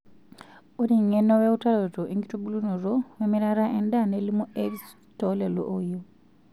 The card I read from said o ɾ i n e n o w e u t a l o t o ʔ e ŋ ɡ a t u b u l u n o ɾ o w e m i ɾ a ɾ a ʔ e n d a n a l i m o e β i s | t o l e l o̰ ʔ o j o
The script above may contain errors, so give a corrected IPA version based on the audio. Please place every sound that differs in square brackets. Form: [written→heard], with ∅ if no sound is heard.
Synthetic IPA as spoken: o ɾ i [n→ŋ] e n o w e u t a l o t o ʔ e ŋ ɡ [a→i] t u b u l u n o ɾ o w e m i ɾ a ɾ a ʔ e n d a n [a→e] l i m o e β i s | t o l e l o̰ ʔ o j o